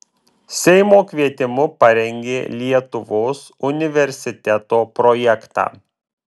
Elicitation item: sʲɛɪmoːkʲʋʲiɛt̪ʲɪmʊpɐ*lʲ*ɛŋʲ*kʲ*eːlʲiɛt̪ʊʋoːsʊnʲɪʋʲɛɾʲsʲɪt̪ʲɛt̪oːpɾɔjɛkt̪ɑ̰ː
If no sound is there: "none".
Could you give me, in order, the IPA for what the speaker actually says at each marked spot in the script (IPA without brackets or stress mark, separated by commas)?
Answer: ɾʲ, ɡʲ